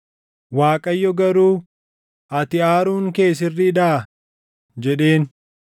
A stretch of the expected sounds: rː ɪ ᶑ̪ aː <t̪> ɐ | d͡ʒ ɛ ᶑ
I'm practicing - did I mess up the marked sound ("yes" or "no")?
yes